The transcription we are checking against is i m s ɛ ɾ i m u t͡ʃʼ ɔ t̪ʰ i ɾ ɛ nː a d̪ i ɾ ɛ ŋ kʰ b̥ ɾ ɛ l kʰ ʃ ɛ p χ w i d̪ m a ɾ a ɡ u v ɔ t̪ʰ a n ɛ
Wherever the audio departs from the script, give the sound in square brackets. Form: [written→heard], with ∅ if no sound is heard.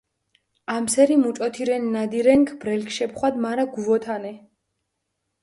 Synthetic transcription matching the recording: [i→a] m s ɛ ɾ i m u t͡ʃʼ ɔ t̪ʰ i ɾ ɛ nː a d̪ i ɾ ɛ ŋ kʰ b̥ ɾ ɛ l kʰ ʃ ɛ p χ w [i→a] d̪ m a ɾ a ɡ u v ɔ t̪ʰ a n ɛ